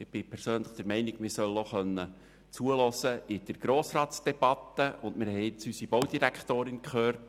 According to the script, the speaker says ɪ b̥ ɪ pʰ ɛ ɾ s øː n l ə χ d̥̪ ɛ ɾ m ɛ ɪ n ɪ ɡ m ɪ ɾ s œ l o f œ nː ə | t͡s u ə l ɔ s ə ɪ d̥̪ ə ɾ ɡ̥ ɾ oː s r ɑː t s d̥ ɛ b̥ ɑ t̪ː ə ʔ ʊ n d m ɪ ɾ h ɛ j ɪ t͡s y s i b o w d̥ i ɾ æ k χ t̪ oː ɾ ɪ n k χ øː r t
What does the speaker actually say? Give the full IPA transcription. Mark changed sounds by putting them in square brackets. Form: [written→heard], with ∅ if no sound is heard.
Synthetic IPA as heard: ɪ b̥ ɪ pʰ ɛ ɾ s øː n l ə χ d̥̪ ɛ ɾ m ɛ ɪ n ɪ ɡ m ɪ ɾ s œ l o [f→χ] œ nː ə | t͡s u ə l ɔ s ə ɪ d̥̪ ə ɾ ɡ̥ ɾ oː s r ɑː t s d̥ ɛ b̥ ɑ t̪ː ə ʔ ʊ n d m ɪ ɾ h ɛ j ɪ t͡s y s i b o w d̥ i ɾ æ k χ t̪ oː ɾ ɪ n k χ øː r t